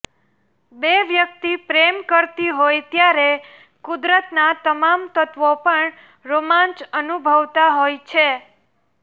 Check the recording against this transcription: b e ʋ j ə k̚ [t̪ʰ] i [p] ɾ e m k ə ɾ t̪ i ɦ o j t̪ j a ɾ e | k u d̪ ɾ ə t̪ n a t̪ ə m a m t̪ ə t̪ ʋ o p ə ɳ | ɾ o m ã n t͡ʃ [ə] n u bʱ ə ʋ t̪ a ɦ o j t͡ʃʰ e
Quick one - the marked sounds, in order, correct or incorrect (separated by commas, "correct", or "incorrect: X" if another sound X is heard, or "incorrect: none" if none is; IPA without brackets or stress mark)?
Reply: incorrect: t̪, correct, correct